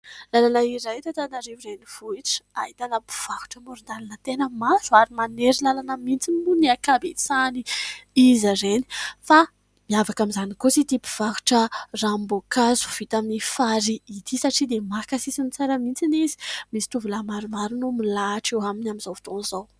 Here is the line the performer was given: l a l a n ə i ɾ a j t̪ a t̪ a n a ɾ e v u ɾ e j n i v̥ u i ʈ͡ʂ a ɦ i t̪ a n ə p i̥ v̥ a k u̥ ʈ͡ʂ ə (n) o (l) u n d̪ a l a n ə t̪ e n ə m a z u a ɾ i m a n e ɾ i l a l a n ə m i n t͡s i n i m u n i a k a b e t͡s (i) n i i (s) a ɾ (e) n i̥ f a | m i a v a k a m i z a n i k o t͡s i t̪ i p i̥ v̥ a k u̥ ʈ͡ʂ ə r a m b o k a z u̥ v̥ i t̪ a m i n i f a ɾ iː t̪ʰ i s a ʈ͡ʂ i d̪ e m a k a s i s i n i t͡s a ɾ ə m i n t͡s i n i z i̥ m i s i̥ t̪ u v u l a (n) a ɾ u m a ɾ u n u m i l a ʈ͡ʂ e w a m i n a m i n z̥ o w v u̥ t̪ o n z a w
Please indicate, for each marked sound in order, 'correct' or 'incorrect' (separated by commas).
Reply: incorrect, incorrect, incorrect, incorrect, correct, incorrect